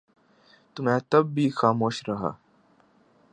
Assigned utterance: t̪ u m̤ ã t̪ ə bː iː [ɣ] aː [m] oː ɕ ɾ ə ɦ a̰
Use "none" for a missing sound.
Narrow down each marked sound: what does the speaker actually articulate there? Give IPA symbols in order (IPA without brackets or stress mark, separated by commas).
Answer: x, m